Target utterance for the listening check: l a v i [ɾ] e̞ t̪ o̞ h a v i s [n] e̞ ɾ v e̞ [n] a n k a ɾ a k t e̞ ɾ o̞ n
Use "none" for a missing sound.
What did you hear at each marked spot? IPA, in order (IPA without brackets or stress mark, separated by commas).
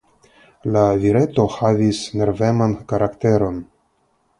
ɾ, n, m